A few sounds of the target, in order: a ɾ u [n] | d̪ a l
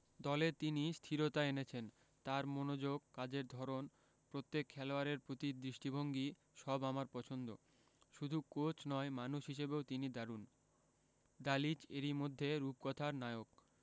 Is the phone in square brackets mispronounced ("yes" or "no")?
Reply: no